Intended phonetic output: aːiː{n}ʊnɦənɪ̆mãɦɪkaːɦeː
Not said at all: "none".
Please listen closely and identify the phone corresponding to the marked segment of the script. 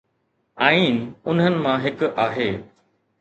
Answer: n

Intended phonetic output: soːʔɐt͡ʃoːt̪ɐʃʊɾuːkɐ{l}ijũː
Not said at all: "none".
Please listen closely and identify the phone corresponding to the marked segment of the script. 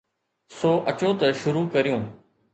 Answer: ɾ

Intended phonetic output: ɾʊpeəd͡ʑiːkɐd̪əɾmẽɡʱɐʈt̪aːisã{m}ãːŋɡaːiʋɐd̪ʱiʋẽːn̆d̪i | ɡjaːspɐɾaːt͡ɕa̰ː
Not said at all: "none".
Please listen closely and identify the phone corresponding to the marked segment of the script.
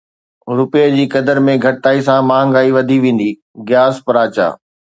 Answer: m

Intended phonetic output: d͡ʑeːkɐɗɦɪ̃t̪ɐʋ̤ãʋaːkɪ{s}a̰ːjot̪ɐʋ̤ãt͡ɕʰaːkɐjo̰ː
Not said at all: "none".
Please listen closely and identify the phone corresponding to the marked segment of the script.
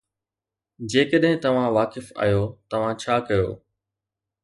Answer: f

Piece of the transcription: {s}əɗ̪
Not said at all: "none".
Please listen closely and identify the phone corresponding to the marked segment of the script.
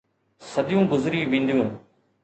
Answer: s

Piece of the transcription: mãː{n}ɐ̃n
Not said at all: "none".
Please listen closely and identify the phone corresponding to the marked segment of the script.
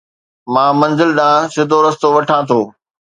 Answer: m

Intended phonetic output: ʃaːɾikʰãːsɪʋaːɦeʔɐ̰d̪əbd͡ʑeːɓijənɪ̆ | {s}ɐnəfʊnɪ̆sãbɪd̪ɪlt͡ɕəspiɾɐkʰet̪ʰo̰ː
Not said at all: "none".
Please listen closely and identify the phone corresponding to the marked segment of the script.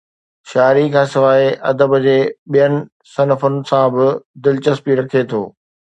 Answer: s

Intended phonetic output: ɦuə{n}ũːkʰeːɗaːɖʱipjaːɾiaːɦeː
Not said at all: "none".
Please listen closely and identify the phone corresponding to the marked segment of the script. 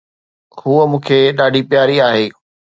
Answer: m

